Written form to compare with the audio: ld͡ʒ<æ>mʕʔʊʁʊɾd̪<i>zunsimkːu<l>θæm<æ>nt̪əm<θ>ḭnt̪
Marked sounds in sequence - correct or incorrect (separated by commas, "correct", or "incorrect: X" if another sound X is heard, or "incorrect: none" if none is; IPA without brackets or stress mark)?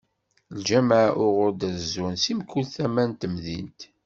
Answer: correct, incorrect: æ, correct, correct, incorrect: ð